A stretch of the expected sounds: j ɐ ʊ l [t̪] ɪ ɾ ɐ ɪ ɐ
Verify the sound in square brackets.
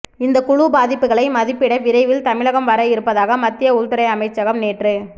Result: correct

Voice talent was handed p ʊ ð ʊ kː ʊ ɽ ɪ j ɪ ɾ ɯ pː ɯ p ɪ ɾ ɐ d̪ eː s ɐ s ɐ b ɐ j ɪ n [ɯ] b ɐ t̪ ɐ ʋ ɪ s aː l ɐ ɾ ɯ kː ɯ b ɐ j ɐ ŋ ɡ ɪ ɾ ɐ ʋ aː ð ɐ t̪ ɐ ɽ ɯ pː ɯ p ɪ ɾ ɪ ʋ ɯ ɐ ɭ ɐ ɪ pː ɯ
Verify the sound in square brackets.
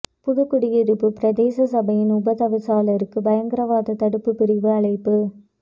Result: incorrect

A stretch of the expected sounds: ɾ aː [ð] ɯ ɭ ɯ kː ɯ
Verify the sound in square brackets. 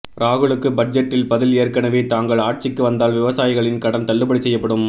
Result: incorrect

